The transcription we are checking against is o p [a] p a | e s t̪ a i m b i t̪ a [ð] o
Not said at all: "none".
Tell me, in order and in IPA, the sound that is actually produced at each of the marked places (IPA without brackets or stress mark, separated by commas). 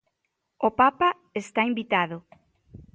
a, ð